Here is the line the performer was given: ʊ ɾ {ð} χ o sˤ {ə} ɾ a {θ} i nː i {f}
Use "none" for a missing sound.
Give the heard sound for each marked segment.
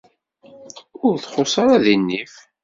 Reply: θ, ɑ, ð, f

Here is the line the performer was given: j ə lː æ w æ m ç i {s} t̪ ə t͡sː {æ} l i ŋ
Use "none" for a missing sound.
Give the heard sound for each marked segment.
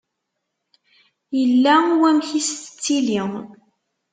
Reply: s, i

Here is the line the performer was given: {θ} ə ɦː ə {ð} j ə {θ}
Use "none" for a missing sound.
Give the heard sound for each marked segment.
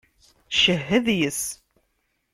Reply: ʃ, ð, s

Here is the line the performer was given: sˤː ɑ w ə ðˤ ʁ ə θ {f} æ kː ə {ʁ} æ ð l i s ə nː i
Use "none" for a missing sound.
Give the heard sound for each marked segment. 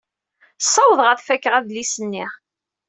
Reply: f, ʁ

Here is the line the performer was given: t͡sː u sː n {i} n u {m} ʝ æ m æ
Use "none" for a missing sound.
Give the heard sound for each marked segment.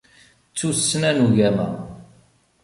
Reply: æ, none

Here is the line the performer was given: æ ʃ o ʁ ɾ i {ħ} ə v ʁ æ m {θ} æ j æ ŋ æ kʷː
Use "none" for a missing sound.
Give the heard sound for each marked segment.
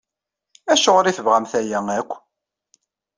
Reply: θ, θ

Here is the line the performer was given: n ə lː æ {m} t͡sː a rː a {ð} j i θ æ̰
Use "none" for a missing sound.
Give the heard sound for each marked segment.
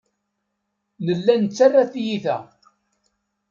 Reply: n, θ

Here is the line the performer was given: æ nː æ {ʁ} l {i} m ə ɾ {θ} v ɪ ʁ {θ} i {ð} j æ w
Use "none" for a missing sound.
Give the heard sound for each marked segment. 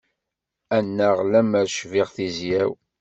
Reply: ʁ, æ, ʃ, θ, z

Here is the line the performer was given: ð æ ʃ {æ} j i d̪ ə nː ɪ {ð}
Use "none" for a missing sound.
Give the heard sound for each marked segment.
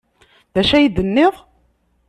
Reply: æ, ʁ

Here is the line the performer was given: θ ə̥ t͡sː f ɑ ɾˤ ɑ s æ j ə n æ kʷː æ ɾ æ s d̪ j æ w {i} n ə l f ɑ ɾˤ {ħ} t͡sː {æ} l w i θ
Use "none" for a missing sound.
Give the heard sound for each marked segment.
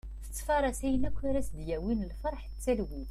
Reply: i, ħ, æ

